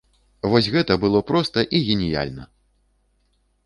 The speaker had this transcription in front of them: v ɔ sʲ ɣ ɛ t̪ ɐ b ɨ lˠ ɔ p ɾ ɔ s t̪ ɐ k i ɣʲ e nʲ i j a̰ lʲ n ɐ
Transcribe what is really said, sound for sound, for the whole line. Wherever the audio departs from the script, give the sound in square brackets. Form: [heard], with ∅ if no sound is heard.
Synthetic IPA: v ɔ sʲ ɣ ɛ t̪ ɐ b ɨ lˠ ɔ p ɾ ɔ s t̪ ɐ [ʔ] i ɣʲ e nʲ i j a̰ lʲ n ɐ